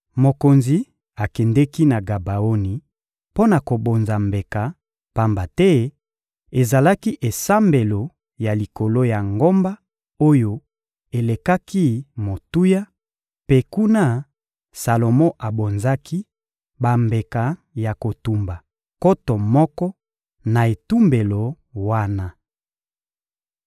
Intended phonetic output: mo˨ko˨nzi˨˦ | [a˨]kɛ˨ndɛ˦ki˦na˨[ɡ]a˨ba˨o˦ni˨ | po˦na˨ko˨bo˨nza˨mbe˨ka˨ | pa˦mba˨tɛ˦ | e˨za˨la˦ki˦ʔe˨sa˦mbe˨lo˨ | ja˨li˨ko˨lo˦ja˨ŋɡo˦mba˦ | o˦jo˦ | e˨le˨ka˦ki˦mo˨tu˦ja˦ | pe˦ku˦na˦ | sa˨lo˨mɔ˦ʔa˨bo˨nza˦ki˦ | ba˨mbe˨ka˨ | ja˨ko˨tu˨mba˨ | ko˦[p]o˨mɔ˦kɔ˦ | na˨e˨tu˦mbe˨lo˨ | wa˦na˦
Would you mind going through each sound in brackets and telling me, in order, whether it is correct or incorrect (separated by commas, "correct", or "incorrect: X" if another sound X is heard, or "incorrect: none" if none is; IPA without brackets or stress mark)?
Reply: correct, correct, incorrect: t